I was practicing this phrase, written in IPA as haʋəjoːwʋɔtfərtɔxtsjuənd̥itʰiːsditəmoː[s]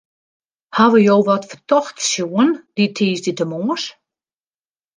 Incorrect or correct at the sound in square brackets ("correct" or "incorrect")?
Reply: correct